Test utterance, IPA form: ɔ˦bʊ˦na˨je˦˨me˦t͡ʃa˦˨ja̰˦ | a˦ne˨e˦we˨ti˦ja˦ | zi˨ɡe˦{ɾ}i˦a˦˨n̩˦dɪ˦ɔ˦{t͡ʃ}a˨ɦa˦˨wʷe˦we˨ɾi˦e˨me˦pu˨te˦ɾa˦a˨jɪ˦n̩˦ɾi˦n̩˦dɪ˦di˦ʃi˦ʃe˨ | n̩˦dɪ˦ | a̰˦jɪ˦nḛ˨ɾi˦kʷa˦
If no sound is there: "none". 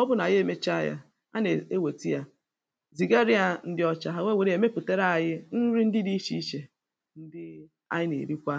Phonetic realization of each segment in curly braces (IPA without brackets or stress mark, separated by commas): ɾ, t͡ʃ